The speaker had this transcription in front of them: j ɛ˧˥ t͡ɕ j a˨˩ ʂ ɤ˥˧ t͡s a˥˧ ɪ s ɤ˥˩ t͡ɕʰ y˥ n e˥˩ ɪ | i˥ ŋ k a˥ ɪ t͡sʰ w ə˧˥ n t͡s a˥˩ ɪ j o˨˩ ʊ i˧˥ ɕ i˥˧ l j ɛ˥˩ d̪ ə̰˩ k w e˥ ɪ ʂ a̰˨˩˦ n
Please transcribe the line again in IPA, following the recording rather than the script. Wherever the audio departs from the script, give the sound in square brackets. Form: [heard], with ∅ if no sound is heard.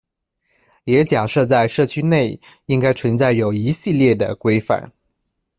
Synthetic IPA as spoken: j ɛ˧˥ t͡ɕ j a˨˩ ʂ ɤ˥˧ t͡s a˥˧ ɪ [ʂ] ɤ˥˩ t͡ɕʰ y˥ n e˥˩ ɪ | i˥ ŋ k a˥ ɪ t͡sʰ w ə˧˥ n t͡s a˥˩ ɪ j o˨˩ ʊ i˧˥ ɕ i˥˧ l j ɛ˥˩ d̪ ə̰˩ k w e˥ ɪ [f] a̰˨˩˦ n